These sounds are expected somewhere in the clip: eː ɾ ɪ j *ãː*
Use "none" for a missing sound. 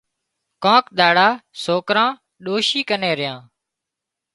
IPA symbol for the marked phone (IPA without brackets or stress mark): ãː